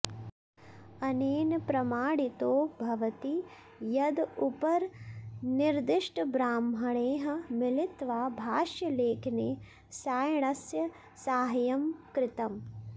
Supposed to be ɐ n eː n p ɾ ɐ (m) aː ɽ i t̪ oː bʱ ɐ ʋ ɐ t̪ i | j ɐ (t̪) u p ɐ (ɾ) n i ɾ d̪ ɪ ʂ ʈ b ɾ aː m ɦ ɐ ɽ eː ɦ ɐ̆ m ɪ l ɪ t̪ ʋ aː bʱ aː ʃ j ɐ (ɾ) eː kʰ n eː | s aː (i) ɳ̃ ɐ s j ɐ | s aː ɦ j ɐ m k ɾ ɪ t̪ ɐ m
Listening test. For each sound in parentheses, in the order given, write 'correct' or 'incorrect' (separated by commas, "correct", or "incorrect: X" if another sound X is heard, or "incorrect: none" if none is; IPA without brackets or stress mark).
correct, incorrect: d̪, correct, incorrect: l, incorrect: j